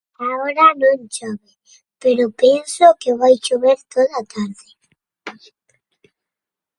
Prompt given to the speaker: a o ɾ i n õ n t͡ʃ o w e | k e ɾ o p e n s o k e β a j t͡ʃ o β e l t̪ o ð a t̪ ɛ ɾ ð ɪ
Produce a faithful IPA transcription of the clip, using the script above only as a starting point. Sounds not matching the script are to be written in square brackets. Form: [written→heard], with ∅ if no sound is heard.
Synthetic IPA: a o ɾ [i→a] n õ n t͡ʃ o [w→β] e | [k→p] e ɾ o p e n s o k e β a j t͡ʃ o β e [l→ɾ] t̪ o ð a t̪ [ɛ→a] ɾ ð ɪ

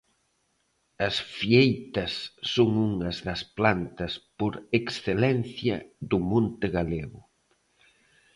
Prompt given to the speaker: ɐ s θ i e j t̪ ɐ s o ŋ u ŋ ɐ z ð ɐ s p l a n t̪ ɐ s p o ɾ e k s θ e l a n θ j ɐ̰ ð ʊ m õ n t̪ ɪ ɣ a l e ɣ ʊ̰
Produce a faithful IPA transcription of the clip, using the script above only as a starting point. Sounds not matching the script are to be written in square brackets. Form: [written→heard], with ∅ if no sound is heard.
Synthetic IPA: ɐ s [θ→f] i e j t̪ ɐ [s→sː] o ŋ u ŋ ɐ z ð ɐ s p l a n t̪ ɐ s p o ɾ e k s θ e l [a→ɛ] n θ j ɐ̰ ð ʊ m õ n t̪ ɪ ɣ a l e ɣ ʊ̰

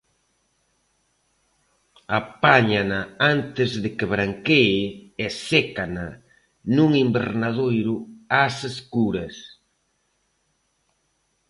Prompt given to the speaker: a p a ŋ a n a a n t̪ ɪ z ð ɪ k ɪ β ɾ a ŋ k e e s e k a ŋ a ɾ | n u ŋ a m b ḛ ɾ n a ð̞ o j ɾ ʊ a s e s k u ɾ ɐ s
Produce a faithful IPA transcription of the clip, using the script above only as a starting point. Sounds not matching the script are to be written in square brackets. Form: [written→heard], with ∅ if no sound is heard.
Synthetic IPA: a p a [ŋ→ɲ] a n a a n t̪ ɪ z ð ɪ k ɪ β ɾ a ŋ k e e s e k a [ŋ→n] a [ɾ→∅] | n u ŋ [a→i] m b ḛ ɾ n a ð̞ o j ɾ ʊ a s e s k u ɾ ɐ s

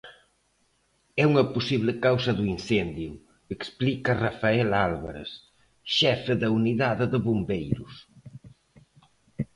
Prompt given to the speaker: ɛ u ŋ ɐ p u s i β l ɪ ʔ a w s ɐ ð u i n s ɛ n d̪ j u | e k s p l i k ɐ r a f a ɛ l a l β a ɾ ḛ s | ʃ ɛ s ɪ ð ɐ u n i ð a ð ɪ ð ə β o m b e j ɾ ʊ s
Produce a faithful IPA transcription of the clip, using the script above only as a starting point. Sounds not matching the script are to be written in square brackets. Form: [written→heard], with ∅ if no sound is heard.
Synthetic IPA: ɛ u ŋ ɐ p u s i β l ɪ [ʔ→k] a w s ɐ ð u i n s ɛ n d̪ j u | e k s p l i k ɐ r a f a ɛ l a l β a ɾ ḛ s | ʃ ɛ [s→f] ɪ ð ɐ u n i ð a ð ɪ ð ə β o m b e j ɾ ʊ s

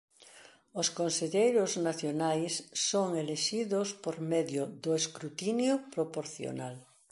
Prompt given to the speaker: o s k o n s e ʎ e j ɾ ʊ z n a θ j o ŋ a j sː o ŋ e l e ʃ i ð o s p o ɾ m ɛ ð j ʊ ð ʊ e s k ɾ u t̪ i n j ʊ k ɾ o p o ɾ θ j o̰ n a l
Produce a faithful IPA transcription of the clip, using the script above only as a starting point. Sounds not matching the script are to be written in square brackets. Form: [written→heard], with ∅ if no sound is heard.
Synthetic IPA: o s k o n s e ʎ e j ɾ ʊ z n a θ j o [ŋ→n] a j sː o ŋ e l e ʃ i ð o s p o ɾ m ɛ ð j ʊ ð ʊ e s k ɾ u t̪ i n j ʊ [k→p] ɾ o p o ɾ θ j o̰ n a l

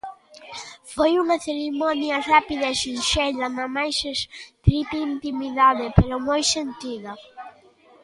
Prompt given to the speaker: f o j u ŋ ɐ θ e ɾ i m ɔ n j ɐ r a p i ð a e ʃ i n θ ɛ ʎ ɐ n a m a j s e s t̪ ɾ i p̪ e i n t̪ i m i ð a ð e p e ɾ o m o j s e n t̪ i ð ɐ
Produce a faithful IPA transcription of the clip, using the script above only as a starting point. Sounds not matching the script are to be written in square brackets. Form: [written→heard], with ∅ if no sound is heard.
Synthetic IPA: f o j u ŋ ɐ θ e ɾ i m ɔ n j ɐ r a p i ð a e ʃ i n [θ→ʃ] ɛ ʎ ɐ n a m a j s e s t̪ ɾ i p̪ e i n t̪ i m i ð a ð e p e ɾ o m o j s e n t̪ i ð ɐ

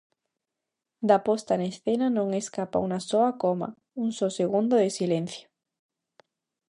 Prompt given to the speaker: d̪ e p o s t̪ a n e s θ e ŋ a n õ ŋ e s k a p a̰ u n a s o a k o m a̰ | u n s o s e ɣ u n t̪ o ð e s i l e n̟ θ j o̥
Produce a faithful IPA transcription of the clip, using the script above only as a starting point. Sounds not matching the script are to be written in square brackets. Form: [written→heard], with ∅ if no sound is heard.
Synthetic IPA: d̪ [e→a] p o s t̪ a n e s θ e [ŋ→n] a n õ ŋ e s k a p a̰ u n a s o a k o m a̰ | u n s o s e ɣ u n [t̪→d̪] o ð e s i l e n̟ θ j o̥

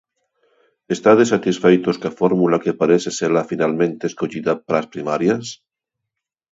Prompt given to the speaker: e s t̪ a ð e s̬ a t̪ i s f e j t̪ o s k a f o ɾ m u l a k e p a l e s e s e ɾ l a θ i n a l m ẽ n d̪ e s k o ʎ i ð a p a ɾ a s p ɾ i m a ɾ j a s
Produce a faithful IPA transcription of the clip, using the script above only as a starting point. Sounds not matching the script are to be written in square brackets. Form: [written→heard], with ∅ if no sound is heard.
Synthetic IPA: e s t̪ a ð e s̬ a t̪ i s f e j t̪ o s k a f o ɾ m u l a k e p a [l→ɾ] e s e s e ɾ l a [θ→f] i n a l m ẽ n [d̪→t̪] e s k o ʎ i ð a p a ɾ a s p ɾ i m a ɾ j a s

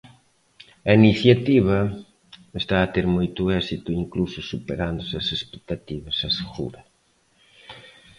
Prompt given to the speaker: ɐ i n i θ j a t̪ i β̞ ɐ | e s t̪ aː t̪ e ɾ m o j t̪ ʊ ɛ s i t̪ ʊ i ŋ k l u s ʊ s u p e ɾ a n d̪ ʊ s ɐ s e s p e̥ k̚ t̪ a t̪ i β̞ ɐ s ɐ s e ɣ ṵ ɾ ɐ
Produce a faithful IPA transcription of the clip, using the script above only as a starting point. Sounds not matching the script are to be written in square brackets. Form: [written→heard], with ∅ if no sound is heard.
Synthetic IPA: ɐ i n i θ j a t̪ i β̞ ɐ | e s t̪ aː t̪ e ɾ m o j t̪ ʊ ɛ s i t̪ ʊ i ŋ k l u s ʊ s u p e ɾ a n d̪ ʊ s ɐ s e s p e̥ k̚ t̪ a t̪ i β̞ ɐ s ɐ s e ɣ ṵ ɾ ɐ

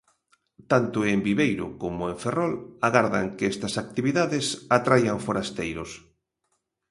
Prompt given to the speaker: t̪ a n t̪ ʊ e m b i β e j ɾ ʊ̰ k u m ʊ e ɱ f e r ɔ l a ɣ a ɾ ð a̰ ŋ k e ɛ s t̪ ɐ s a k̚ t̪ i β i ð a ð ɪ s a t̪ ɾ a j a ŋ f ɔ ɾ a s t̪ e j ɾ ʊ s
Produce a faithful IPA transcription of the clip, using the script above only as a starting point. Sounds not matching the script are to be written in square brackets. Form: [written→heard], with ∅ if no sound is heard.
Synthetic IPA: t̪ a n t̪ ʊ e m b i β e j ɾ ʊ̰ k [u→o] m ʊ e ɱ f e r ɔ l a ɣ a ɾ ð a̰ ŋ k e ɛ s t̪ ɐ s a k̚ t̪ i β i ð a ð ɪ s a t̪ ɾ a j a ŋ f [ɔ→o] ɾ a s t̪ e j ɾ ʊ s

